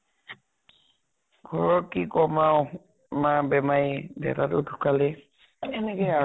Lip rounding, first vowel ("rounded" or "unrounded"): rounded